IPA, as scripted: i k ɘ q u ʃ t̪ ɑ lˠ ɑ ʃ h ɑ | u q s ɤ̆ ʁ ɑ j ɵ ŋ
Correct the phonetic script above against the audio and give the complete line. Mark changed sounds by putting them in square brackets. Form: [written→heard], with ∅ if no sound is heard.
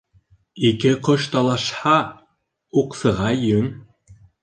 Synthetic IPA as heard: i k ɘ q [u→o] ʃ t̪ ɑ lˠ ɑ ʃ h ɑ | u q s ɤ̆ ʁ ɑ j ɵ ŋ

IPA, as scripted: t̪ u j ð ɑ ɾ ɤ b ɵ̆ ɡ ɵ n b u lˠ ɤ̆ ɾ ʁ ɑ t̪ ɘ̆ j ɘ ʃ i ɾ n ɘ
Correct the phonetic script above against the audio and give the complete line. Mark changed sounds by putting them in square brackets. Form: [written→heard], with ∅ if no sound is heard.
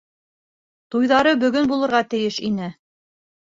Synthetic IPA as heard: t̪ u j ð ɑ ɾ ɤ b ɵ̆ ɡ ɵ n b u lˠ ɤ̆ ɾ ʁ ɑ t̪ ɘ̆ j ɘ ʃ i [ɾ→∅] n ɘ

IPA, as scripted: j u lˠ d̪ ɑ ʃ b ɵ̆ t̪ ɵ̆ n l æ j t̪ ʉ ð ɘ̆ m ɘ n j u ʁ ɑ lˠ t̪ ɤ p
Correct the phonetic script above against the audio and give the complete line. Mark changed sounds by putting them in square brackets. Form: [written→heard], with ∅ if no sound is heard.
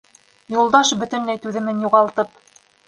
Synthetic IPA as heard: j u lˠ d̪ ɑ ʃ b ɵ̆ t̪ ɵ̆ n l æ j t̪ ʉ ð ɘ̆ m ɘ n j u ʁ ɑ lˠ t̪ ɤ p

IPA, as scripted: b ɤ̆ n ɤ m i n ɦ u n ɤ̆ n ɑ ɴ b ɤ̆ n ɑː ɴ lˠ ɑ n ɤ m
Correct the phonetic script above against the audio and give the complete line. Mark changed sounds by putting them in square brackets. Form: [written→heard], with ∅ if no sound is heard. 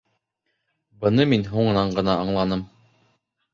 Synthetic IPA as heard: b ɤ̆ n ɤ m i n ɦ u [n→ɴ] ɤ̆ n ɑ ɴ [b→ɢ] ɤ̆ n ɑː ɴ lˠ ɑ n ɤ m

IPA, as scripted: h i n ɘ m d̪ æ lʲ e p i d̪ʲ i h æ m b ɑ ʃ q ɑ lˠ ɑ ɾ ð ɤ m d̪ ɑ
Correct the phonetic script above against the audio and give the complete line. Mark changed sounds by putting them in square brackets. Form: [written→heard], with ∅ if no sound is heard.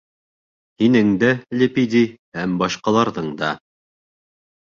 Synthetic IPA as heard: h i n ɘ [m→ŋ] d̪ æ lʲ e p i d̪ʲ i h æ m b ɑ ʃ q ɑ lˠ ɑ ɾ ð ɤ [m→ɴ] d̪ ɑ

